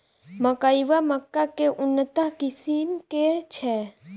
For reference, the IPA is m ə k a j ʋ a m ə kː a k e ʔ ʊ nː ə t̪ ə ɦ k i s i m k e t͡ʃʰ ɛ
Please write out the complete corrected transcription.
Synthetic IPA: m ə k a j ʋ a m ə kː a k e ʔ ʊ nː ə t̪ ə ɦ k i s i m k e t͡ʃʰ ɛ